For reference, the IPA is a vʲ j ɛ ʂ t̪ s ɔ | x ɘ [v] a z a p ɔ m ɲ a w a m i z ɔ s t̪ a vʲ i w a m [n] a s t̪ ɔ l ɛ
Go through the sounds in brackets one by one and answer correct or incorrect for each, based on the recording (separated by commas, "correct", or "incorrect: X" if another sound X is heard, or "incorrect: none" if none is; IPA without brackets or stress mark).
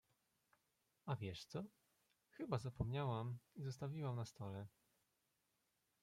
incorrect: b, correct